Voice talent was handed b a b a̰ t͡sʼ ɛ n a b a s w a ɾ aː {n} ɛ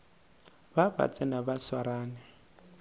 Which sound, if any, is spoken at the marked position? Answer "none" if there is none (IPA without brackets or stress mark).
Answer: n